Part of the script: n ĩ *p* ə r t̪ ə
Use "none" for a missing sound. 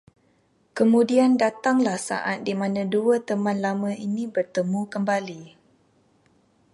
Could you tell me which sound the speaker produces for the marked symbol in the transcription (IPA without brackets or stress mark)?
b